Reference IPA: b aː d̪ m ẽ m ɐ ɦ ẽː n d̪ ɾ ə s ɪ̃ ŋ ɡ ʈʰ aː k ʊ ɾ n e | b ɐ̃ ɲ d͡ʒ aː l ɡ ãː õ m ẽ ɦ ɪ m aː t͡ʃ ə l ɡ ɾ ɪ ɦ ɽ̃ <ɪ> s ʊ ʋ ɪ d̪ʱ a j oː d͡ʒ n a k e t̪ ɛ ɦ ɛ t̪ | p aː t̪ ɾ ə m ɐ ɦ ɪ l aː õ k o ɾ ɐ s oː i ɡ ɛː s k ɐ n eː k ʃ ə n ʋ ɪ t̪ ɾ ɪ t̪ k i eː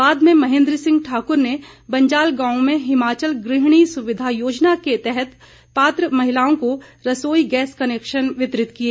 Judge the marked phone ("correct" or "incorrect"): incorrect